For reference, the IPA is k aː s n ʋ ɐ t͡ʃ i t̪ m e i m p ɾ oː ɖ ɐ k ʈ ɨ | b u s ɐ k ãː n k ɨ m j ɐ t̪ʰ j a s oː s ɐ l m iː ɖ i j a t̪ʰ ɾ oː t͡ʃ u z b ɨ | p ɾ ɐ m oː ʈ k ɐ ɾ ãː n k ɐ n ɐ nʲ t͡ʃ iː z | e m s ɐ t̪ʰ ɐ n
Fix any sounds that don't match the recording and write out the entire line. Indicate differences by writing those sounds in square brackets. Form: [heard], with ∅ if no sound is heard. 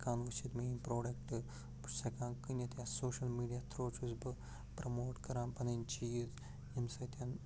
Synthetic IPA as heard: k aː [∅] n ʋ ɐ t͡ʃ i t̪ m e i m p ɾ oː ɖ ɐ k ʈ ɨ | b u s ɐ k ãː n k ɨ [n] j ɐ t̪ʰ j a s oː [ʃ] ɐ l m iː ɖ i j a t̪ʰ ɾ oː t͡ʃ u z b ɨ | p ɾ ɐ m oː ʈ k ɐ ɾ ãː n [p] ɐ n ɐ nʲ t͡ʃ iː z | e m s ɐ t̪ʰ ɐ n